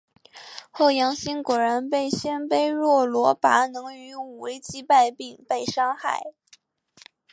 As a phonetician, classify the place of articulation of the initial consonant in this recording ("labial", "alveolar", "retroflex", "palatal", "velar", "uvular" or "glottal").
velar